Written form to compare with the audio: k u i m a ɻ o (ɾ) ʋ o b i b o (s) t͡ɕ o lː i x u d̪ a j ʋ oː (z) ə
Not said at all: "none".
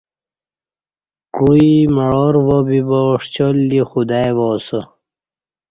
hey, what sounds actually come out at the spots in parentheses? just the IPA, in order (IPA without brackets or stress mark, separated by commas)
ɾ, ʂ, s